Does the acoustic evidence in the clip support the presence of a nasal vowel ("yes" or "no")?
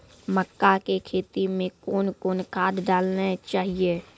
yes